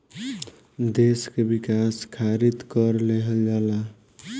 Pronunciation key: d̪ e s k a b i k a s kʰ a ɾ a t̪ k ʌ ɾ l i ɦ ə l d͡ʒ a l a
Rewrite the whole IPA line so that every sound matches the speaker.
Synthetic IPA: d̪ e s k e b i k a s kʰ a ɾ i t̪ k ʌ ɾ l e ɦ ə l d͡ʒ a l a